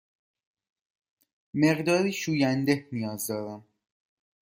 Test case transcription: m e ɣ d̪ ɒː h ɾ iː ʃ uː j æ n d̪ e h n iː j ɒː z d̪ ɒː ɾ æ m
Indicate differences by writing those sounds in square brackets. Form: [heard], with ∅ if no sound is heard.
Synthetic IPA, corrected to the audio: m e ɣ d̪ ɒː [∅] ɾ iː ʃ uː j æ n d̪ e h n [i] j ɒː z d̪ ɒː ɾ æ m